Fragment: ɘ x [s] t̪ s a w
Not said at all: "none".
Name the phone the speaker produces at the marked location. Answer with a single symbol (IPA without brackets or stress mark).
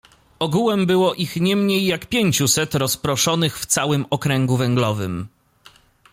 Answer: f